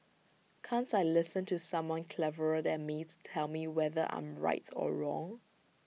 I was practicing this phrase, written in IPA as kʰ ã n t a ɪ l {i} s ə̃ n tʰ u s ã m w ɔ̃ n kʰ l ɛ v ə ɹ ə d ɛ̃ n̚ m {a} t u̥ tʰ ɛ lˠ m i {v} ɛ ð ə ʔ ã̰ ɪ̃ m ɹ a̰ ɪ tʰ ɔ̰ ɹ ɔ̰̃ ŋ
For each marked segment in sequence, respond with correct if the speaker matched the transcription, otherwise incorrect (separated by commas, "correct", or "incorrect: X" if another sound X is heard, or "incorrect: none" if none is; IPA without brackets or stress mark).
incorrect: ɪ, incorrect: i, incorrect: w